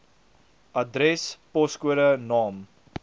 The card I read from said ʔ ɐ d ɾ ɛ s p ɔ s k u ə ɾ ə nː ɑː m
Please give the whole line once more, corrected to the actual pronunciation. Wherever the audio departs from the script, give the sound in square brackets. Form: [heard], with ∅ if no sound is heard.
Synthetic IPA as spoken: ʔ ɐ d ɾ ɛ s p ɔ s k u ə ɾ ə [n] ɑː m